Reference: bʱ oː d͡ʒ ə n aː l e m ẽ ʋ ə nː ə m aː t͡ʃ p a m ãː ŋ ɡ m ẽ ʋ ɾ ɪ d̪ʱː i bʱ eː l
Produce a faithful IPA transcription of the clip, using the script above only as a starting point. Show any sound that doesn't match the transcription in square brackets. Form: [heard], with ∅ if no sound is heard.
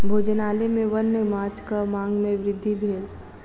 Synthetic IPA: bʱ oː d͡ʒ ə n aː l e m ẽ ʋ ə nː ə m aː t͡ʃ [k] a m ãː ŋ ɡ m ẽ ʋ ɾ ɪ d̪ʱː i bʱ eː l